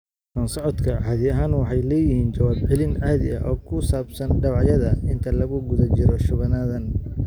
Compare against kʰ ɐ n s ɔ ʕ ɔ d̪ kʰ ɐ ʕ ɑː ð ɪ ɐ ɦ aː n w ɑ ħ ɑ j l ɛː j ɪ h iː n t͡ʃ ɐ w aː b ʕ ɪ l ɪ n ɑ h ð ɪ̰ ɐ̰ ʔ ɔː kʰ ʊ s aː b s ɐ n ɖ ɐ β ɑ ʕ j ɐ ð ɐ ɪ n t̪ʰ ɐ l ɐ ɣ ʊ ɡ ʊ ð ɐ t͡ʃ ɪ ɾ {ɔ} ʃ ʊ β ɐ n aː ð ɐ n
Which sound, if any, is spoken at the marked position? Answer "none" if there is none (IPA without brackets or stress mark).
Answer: ɔ